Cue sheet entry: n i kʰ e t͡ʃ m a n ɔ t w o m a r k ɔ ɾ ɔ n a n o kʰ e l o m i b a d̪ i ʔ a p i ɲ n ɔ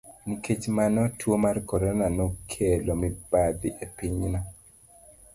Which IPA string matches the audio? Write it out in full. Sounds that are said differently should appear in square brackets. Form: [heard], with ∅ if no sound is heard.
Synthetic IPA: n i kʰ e t͡ʃ m a n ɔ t w o m a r k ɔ ɾ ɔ n a n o kʰ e l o m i b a d̪ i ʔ [e] p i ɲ n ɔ